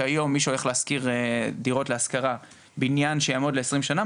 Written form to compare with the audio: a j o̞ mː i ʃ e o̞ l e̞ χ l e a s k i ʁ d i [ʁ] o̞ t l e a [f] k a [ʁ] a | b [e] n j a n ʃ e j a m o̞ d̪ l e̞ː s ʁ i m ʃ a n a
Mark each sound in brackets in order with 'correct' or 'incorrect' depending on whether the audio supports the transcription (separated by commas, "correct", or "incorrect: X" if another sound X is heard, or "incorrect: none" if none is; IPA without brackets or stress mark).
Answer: correct, incorrect: s, correct, incorrect: i